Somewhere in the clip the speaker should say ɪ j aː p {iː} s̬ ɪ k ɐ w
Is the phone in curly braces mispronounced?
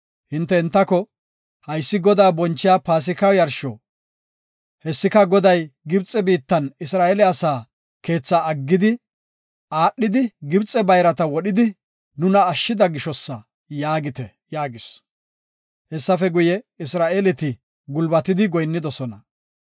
yes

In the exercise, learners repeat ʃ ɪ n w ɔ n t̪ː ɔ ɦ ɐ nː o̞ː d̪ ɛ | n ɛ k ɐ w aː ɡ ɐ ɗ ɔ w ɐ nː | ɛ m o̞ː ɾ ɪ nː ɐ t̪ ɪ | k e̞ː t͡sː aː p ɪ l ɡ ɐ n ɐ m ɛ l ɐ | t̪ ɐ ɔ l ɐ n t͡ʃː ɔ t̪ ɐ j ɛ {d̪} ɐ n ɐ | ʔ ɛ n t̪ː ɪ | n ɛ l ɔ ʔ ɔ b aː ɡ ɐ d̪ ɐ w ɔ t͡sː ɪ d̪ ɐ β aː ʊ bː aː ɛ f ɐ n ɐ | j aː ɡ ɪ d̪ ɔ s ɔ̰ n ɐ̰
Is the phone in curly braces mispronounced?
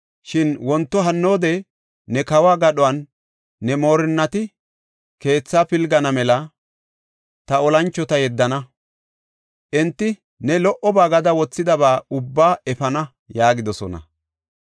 yes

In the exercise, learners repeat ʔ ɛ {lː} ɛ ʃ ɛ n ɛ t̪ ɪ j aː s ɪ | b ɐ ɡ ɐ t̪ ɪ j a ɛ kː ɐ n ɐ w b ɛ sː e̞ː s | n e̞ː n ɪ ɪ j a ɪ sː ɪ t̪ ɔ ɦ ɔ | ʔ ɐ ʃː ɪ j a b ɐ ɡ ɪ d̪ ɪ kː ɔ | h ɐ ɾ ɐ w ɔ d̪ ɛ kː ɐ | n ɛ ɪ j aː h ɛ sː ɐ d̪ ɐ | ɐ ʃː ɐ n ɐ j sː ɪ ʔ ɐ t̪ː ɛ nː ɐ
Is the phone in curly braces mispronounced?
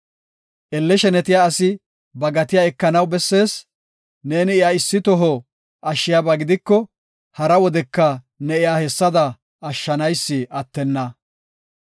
no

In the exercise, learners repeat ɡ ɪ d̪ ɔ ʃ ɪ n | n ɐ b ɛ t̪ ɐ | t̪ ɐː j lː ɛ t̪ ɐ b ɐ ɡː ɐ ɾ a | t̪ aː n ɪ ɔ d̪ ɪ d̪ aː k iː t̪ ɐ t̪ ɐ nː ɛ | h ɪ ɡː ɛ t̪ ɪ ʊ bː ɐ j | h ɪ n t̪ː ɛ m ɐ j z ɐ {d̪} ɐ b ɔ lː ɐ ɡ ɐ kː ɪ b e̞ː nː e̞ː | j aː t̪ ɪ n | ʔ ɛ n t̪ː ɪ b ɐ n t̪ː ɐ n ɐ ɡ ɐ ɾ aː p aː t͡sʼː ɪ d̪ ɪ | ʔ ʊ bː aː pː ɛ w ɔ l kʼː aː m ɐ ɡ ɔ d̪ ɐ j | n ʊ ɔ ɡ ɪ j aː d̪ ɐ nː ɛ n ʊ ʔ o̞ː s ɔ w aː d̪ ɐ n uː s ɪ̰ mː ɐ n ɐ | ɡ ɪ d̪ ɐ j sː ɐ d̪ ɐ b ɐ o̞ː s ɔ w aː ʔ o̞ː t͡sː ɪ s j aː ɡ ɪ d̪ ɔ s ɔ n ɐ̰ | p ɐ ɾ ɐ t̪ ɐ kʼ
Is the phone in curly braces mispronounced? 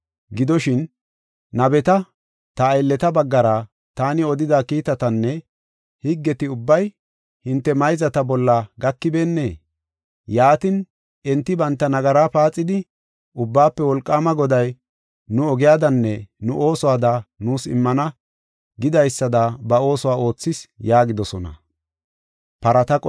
yes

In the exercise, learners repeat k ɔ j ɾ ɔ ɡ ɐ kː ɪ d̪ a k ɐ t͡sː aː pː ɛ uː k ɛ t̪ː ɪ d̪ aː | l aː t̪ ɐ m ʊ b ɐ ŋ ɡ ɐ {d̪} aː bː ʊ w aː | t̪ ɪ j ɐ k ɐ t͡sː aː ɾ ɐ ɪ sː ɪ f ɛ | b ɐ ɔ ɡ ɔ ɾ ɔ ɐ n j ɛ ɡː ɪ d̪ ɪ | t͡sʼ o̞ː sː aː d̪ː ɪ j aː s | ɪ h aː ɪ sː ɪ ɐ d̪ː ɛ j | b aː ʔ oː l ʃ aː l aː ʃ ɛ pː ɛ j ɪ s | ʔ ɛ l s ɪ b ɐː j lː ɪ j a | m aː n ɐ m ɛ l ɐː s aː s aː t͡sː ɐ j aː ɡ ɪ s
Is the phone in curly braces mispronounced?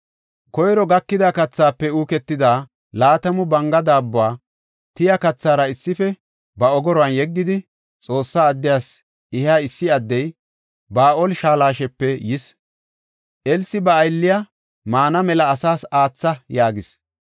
no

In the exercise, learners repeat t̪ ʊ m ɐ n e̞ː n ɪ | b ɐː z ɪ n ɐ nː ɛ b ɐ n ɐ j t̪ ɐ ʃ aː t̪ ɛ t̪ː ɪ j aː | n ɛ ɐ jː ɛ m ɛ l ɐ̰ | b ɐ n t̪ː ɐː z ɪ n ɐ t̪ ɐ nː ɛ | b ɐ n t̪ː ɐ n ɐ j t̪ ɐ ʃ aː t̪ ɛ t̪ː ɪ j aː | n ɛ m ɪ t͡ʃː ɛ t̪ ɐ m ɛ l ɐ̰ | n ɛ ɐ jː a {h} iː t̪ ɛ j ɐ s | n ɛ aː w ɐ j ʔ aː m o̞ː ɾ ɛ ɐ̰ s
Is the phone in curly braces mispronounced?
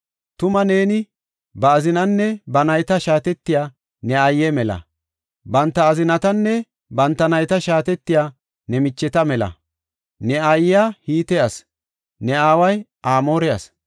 no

